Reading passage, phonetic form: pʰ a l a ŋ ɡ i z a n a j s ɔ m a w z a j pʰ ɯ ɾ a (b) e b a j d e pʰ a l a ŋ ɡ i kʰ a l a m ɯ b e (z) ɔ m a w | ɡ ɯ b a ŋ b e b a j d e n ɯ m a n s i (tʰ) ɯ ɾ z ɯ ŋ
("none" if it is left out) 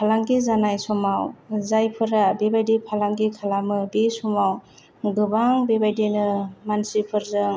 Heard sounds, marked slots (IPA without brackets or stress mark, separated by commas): b, s, pʰ